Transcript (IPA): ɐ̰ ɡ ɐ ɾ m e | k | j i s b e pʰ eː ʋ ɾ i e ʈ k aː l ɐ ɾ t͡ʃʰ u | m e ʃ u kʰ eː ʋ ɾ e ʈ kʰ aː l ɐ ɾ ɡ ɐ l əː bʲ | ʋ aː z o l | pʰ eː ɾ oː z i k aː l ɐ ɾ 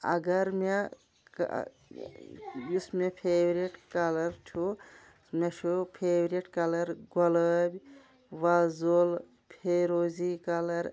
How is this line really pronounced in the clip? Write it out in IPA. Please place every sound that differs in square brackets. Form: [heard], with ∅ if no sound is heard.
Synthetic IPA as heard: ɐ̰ ɡ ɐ ɾ m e | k | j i s [m] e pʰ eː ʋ ɾ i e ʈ k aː l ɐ ɾ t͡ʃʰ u | m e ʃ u [pʰ] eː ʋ ɾ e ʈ [k] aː l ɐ ɾ ɡ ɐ l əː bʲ | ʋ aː z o l | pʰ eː ɾ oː z i k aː l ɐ ɾ